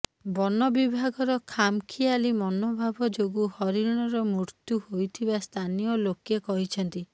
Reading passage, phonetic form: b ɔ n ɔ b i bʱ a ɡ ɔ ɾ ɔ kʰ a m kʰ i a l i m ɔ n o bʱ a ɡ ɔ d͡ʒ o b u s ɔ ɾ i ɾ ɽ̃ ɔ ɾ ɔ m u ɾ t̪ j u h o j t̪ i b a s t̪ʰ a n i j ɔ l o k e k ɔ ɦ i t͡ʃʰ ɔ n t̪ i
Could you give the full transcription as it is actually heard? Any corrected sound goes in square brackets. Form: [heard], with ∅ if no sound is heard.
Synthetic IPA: b ɔ n ɔ b i bʱ a ɡ ɔ ɾ ɔ kʰ a m kʰ i a l i m ɔ n o bʱ a [b] ɔ d͡ʒ o [ɡ] u [h] ɔ ɾ i ɾ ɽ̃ ɔ ɾ ɔ m u ɾ t̪ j u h o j [t̪ʰ] i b a s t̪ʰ a n i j ɔ l o k e k ɔ ɦ i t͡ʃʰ ɔ n t̪ i